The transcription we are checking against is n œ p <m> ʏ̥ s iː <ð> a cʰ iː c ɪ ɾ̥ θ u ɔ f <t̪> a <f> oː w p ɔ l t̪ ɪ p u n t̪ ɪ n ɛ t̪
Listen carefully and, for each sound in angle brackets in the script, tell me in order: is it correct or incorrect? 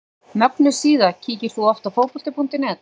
incorrect, correct, correct, correct

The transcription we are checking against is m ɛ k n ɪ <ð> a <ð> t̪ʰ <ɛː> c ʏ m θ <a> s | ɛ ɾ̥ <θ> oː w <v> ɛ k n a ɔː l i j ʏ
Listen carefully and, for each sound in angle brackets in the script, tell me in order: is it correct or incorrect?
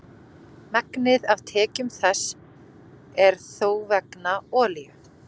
correct, incorrect, correct, incorrect, correct, correct

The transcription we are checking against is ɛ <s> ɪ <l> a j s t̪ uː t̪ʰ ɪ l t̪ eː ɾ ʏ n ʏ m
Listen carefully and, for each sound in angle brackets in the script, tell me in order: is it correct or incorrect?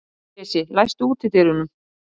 correct, correct

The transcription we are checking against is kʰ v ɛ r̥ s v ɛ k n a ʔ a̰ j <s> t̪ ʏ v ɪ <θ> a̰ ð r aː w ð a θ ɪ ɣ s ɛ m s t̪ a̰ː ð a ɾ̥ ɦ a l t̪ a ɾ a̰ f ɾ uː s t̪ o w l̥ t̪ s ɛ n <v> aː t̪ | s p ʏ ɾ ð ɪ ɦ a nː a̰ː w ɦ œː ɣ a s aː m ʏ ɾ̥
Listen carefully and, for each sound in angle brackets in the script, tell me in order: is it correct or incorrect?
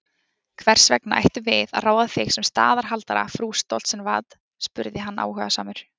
incorrect, incorrect, correct

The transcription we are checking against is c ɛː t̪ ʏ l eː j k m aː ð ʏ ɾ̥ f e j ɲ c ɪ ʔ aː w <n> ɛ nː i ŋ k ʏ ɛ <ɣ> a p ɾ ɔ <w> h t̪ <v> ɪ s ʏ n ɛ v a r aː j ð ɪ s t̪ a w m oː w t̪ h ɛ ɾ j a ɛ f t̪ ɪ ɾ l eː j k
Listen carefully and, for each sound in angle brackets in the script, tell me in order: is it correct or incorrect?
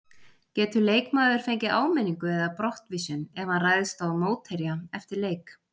incorrect, incorrect, incorrect, correct

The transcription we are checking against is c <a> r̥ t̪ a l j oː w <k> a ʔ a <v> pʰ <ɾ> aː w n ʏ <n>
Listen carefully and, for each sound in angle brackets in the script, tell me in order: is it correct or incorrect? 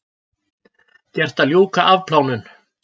incorrect, correct, correct, incorrect, correct

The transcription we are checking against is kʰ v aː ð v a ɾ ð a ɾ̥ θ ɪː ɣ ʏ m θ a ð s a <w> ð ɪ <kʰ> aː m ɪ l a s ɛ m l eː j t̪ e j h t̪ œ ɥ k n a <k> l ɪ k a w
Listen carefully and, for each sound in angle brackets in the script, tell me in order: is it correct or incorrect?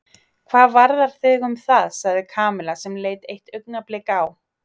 incorrect, correct, incorrect

